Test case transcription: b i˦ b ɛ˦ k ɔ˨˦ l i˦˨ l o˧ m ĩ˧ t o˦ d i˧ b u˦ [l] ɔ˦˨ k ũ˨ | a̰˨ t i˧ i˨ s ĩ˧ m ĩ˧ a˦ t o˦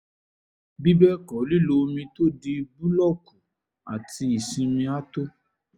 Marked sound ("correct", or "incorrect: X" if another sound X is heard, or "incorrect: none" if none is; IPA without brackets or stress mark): correct